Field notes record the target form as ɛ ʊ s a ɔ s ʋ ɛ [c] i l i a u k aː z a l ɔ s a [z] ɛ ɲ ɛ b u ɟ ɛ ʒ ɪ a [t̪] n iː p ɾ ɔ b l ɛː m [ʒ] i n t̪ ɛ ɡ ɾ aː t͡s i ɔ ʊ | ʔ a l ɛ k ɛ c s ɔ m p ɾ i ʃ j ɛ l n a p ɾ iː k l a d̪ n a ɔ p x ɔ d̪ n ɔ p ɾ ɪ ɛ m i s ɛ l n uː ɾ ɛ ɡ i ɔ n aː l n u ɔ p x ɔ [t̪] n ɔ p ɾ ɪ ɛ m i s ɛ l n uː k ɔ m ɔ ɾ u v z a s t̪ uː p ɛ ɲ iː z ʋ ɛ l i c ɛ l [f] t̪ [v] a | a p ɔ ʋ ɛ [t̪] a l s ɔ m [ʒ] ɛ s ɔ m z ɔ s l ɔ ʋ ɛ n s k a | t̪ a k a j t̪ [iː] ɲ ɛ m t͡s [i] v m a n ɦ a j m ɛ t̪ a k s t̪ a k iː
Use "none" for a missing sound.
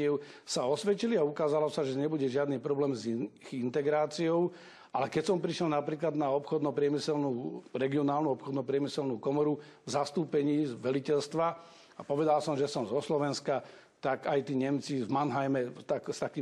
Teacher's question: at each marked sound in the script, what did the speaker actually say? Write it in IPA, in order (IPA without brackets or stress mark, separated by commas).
c, ʒ, d̪, z, d̪, s, ʋ, d̪, ʒ, iː, i